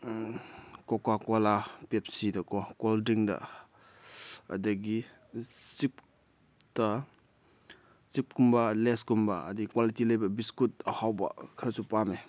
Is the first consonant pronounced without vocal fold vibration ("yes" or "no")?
yes